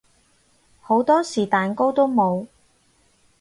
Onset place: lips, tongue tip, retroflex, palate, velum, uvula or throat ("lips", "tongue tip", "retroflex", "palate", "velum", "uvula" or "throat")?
throat